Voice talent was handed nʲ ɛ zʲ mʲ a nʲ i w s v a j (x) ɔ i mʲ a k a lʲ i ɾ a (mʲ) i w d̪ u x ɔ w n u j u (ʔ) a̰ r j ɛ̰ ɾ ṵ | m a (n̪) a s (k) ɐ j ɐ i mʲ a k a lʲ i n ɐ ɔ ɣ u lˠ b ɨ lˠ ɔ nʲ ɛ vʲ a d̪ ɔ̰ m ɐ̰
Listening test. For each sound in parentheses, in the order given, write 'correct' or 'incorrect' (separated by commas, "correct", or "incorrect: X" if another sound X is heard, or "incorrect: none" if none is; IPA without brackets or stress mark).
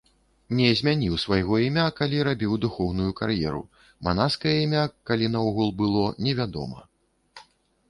incorrect: ɣ, incorrect: bʲ, incorrect: k, correct, correct